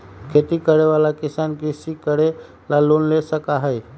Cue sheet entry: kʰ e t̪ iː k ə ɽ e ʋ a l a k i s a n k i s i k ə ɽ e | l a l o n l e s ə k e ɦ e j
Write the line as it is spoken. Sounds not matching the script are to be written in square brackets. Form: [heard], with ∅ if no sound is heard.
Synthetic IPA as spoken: kʰ e t̪ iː k ə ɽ e ʋ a l a k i s a n k i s i k ə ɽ e | l a l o n l e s ə k [a] ɦ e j